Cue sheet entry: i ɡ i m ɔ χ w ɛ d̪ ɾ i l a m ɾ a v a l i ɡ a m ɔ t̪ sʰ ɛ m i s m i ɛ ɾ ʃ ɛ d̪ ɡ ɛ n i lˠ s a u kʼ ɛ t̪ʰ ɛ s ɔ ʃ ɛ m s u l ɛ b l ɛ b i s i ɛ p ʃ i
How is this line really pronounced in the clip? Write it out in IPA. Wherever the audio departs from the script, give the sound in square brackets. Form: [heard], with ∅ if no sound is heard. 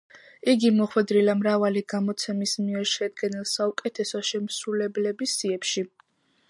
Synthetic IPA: i ɡ i m ɔ χ w ɛ d̪ ɾ i l a m ɾ a v a l i ɡ a m ɔ t̪ sʰ ɛ m i s m i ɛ ɾ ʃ ɛ d̪ ɡ ɛ n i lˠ s a u kʼ ɛ t̪ʰ ɛ s ɔ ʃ ɛ m s u l ɛ b l ɛ b i s i ɛ p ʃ i